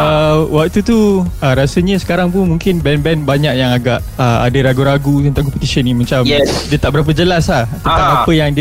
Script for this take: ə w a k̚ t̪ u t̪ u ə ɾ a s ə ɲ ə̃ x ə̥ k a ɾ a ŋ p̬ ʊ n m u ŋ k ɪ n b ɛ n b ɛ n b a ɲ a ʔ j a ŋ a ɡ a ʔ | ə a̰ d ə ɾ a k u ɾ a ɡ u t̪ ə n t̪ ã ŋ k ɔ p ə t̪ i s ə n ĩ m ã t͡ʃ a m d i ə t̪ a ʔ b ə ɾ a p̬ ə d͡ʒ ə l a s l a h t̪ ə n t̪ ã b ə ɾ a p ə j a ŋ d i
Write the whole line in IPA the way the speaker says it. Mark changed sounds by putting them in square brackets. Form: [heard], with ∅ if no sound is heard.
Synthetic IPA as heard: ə w a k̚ t̪ u t̪ u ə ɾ a s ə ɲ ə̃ [s] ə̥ k a ɾ a ŋ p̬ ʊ n m u ŋ k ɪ n b ɛ n b ɛ n b a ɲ a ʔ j a ŋ a ɡ a ʔ | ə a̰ d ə ɾ a [ɡ] u ɾ a ɡ u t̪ ə n t̪ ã ŋ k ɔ p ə t̪ i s ə n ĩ m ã t͡ʃ a m d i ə t̪ a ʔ b ə ɾ a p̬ ə d͡ʒ ə l a s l a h t̪ ə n t̪ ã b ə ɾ a p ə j a ŋ d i